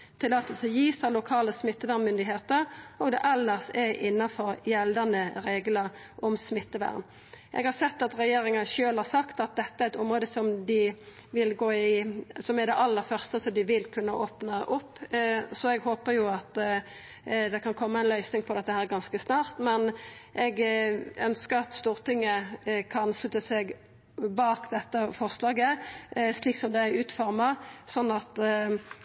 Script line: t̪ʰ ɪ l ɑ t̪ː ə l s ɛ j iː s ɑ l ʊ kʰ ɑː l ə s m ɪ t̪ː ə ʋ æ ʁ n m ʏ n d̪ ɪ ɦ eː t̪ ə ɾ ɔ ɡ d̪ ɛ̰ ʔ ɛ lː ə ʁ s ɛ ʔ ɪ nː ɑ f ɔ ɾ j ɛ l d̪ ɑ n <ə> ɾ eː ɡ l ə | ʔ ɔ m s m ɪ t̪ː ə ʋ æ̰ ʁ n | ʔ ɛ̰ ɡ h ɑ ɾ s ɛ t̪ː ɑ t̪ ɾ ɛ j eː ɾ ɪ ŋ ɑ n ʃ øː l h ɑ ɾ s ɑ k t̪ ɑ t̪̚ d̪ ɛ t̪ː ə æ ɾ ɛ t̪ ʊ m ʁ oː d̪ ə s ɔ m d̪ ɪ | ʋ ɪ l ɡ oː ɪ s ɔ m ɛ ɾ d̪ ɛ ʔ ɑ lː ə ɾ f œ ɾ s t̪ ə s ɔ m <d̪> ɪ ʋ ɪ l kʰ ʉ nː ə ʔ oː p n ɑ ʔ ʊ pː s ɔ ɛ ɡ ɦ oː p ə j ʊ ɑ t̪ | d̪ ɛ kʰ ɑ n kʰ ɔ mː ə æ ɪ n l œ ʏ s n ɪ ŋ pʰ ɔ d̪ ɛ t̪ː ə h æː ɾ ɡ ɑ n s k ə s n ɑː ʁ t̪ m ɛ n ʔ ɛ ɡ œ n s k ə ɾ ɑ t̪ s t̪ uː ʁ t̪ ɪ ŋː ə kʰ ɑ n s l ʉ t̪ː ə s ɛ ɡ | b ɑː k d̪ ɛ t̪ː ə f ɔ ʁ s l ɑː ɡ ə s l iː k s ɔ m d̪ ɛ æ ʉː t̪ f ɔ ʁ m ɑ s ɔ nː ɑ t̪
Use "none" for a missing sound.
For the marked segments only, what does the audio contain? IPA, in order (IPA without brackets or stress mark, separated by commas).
ə, d̪